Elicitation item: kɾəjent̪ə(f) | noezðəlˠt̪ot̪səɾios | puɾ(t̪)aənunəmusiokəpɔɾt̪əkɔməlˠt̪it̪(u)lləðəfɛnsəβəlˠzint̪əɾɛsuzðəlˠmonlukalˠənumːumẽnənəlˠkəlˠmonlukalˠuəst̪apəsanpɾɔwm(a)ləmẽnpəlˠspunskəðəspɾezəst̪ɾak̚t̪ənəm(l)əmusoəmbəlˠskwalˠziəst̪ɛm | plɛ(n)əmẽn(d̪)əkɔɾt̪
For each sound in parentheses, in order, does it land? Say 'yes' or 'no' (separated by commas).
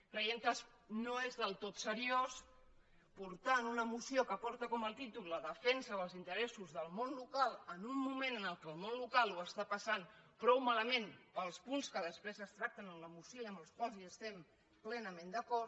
no, yes, yes, yes, yes, yes, yes